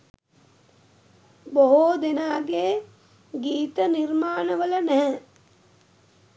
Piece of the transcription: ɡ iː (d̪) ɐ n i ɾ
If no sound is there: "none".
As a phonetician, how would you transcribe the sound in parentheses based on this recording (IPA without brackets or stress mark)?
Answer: t̪